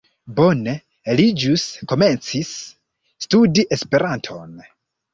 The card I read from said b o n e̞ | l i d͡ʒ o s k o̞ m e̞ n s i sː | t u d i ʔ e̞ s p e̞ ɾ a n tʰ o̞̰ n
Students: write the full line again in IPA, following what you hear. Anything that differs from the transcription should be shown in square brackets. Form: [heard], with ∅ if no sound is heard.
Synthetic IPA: b o n e̞ | l i d͡ʒ [u] s k o̞ m e̞ n [t͡s] i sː | t u d i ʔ e̞ s p e̞ ɾ a n tʰ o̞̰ n